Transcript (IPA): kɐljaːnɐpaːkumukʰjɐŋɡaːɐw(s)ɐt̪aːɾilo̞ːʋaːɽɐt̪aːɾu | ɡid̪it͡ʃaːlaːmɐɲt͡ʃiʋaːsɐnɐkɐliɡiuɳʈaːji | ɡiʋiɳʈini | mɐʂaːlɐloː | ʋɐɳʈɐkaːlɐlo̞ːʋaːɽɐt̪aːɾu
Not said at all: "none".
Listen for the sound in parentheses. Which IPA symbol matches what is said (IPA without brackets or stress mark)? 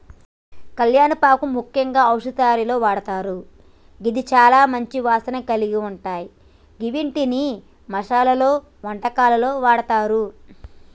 ʂ